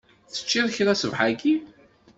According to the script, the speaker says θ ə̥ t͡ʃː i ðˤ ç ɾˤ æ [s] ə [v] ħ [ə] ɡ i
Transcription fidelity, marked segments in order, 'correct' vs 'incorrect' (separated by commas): correct, correct, incorrect